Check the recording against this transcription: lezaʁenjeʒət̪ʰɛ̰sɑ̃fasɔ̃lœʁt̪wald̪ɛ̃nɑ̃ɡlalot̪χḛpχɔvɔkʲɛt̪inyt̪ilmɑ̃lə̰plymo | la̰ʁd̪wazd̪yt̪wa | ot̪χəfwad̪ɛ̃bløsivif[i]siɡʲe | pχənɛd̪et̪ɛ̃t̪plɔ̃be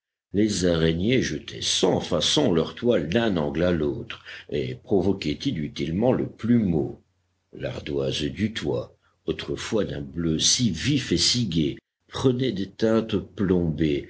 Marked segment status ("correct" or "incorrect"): incorrect